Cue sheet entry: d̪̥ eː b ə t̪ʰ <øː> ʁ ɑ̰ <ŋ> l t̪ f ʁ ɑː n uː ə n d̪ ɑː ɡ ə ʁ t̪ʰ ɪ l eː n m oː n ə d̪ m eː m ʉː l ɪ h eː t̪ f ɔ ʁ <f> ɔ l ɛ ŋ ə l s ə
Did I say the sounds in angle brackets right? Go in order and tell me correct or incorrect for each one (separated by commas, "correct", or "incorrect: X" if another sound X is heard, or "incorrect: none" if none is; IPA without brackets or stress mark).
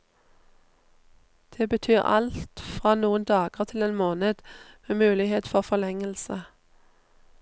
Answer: incorrect: yː, incorrect: none, correct